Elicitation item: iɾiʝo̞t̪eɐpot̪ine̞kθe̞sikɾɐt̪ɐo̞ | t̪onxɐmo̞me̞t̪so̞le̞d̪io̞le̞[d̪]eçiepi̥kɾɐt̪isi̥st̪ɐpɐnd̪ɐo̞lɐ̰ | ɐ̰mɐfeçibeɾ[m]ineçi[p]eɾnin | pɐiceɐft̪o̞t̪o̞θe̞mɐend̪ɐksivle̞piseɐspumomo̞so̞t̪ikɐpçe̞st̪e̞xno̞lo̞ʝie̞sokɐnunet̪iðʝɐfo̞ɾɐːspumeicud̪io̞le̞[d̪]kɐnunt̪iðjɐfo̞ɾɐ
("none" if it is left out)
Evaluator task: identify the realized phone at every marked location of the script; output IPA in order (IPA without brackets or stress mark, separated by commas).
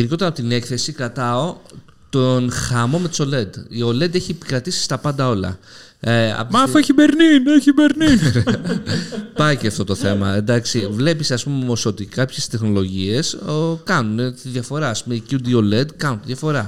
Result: d̪, n, b, d̪